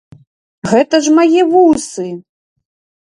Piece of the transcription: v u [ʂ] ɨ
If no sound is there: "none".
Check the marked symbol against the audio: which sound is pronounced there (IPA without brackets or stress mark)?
s